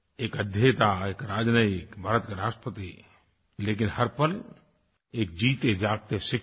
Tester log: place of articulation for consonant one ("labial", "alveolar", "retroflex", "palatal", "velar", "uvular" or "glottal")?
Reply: velar